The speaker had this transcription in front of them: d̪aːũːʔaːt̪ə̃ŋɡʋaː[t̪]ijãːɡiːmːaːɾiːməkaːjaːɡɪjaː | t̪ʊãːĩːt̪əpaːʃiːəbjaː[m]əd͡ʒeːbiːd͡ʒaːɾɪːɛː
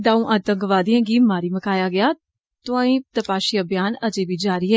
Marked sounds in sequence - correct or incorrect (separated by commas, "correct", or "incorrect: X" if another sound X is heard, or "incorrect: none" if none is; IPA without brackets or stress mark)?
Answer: incorrect: d̪, incorrect: n